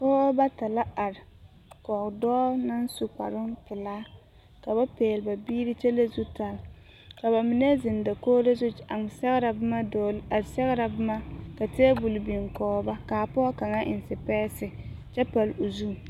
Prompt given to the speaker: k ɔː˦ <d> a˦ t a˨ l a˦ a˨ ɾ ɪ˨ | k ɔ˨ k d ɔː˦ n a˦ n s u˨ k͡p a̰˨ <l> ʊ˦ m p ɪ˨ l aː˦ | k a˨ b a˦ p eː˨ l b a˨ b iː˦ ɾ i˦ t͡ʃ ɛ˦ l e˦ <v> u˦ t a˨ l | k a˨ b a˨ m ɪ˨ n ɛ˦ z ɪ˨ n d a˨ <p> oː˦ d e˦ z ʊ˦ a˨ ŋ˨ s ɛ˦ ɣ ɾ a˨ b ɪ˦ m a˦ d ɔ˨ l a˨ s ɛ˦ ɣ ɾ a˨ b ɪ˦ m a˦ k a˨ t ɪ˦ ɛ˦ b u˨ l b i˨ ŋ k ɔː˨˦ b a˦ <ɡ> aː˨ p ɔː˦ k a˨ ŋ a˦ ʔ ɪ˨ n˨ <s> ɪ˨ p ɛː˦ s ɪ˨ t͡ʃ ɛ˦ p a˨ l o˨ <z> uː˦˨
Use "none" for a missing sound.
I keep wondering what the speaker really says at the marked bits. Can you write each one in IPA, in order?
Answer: b, ɾ, z, k, k, s, z

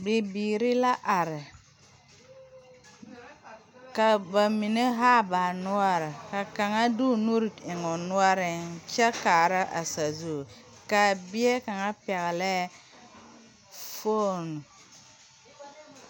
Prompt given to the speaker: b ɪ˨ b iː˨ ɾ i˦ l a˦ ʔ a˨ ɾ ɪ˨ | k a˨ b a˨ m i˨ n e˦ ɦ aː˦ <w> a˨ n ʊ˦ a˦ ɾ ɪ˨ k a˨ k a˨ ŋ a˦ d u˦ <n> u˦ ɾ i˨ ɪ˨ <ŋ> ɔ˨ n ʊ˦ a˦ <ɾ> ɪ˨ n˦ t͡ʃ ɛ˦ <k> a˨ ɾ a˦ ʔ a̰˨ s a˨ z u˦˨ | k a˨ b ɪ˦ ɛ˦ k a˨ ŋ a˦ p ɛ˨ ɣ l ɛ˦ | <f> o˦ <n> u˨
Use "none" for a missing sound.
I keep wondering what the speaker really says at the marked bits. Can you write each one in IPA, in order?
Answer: b, n, ŋ, ɾ, k, f, n

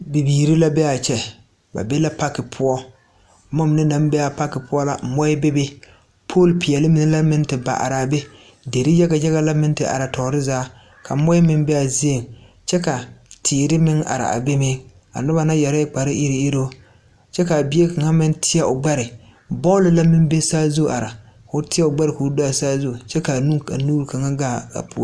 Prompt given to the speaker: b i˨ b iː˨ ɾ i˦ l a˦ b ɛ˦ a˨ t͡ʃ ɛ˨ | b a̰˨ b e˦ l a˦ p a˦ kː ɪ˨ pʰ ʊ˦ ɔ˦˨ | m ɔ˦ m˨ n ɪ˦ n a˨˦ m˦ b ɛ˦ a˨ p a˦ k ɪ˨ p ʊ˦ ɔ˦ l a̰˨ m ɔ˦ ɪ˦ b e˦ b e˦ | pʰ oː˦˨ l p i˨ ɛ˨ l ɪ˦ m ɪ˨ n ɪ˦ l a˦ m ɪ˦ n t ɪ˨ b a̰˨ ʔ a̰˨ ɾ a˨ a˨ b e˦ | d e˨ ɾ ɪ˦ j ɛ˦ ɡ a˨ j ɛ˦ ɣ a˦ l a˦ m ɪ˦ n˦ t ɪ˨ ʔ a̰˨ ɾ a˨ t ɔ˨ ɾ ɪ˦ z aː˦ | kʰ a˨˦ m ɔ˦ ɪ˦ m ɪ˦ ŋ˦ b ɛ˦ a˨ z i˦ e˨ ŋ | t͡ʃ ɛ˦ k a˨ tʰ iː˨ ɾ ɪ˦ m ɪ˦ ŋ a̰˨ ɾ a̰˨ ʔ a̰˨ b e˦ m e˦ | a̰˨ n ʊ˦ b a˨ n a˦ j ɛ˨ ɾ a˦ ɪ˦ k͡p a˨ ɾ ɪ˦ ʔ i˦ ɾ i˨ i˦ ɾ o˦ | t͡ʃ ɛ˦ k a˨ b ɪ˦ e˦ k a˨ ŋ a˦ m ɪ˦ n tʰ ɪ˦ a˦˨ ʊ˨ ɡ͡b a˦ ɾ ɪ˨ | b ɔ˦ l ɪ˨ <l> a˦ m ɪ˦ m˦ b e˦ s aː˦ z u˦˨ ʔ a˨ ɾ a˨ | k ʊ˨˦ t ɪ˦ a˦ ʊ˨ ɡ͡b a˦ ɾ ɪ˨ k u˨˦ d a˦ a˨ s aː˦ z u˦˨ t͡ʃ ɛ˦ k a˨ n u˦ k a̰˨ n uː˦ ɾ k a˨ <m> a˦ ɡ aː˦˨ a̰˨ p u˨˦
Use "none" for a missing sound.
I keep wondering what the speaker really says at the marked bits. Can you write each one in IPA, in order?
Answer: l, ŋ

